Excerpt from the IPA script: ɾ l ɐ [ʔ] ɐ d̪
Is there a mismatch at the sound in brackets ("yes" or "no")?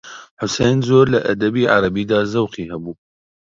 no